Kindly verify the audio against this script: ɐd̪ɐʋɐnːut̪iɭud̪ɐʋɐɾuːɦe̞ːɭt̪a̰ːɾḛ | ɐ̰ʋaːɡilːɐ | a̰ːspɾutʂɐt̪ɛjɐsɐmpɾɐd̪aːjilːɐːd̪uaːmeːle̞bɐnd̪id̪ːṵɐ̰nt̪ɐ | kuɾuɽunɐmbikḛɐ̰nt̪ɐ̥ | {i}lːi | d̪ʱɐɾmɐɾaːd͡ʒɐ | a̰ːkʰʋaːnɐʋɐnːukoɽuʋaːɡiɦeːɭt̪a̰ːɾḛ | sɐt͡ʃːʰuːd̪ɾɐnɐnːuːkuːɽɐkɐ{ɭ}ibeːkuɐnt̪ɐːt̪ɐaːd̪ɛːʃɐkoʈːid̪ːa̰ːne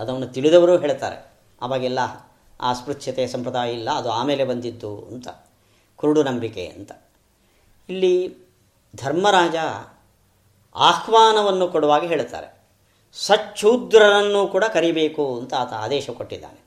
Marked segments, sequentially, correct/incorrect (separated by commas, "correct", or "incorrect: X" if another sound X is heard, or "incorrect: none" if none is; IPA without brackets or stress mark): correct, incorrect: ɾ